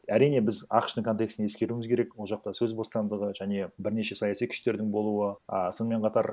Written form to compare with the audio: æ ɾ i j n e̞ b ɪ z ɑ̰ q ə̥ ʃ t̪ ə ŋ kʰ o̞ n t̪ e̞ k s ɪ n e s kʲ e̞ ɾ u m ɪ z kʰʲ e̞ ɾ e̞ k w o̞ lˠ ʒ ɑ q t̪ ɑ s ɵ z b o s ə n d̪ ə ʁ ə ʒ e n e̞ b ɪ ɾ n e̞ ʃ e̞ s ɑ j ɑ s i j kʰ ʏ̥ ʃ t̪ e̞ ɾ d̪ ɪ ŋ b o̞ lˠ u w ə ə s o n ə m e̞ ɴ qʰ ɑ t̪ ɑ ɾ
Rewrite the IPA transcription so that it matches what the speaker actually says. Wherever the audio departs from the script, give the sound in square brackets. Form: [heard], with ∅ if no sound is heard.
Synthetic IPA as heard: æ ɾ i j n e̞ b ɪ z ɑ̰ q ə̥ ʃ t̪ ə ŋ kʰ o̞ n t̪ e̞ k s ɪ n e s kʲ e̞ ɾ u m ɪ z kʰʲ e̞ ɾ e̞ k w o̞ lˠ ʒ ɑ q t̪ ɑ s ɵ z b o s [ɑ] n d̪ ə ʁ ə ʒ [æ] n e̞ b ɪ ɾ n e̞ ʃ e̞ s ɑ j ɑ s i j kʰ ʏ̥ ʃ t̪ e̞ ɾ d̪ ɪ ŋ b o̞ lˠ u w ə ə s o n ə m e̞ ɴ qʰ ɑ t̪ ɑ ɾ